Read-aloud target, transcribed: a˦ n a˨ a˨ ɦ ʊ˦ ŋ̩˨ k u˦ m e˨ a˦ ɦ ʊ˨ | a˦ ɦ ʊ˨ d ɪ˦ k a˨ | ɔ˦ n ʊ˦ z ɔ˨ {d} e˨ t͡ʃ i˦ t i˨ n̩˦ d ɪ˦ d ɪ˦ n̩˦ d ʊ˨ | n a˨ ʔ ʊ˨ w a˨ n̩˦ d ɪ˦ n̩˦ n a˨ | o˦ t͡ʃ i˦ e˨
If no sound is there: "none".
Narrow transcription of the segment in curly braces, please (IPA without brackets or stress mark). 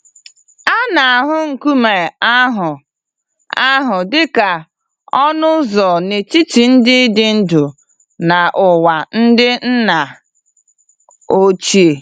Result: n